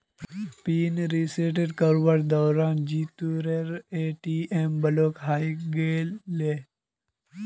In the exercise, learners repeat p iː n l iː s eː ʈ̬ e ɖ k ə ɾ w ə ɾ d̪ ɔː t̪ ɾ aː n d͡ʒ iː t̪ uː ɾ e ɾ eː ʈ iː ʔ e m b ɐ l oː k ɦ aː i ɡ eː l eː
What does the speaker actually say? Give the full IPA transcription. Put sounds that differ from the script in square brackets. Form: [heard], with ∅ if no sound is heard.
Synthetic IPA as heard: p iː n [ɾ] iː s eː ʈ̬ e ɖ k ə ɾ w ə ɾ d̪ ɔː [∅] ɾ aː n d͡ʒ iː t̪ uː ɾ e ɾ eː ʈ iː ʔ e m b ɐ l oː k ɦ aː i ɡ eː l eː